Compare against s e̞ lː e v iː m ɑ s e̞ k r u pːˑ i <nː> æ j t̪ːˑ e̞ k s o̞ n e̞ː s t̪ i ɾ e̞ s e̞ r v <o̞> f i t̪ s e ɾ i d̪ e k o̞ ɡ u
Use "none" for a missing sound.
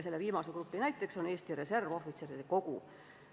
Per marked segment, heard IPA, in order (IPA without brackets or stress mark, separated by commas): n, o̞